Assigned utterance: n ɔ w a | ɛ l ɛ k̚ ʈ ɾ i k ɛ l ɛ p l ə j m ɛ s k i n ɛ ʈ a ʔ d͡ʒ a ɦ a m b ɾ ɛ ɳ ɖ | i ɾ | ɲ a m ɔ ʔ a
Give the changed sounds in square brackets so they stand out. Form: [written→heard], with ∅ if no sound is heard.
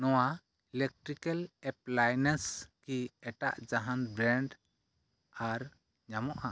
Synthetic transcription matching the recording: n ɔ w a | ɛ l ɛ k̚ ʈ ɾ i k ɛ l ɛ p l [ə→a] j [m→n] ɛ s k i [n→∅] ɛ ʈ a ʔ d͡ʒ a ɦ a [m→n] b ɾ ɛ ɳ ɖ | [i→a] ɾ | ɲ a m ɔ ʔ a